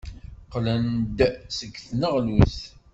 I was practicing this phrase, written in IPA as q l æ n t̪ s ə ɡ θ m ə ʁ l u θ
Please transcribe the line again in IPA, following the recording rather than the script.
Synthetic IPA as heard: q l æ n d̪ s ə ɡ θ n ə ʁ l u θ